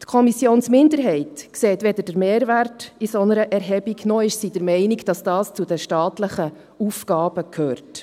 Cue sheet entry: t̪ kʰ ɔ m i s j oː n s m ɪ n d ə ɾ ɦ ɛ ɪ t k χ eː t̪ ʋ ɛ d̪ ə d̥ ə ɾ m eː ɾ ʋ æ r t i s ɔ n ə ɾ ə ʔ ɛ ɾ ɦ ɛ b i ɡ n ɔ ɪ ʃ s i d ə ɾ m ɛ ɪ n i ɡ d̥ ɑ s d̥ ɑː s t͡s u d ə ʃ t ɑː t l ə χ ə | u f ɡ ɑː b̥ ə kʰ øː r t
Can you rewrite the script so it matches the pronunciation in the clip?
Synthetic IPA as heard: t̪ kʰ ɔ m i s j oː n s m ɪ n d ə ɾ ɦ ɛ ɪ t k s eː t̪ ʋ ɛ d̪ ə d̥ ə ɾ m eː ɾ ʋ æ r t i s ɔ n ə ɾ ə ʔ ɛ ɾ ɦ ɛ b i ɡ n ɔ ɪ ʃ s i d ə ɾ m ɛ ɪ n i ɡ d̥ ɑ s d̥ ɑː s t͡s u d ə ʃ t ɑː t l ə χ ə | u f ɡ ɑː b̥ ə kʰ øː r t